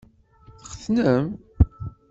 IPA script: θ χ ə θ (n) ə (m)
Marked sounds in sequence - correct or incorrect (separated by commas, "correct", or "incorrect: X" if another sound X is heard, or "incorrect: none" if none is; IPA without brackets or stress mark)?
correct, correct